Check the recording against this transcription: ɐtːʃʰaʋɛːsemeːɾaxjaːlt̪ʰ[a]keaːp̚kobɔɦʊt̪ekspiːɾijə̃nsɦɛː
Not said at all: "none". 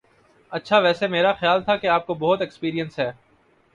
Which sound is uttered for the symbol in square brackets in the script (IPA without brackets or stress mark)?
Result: a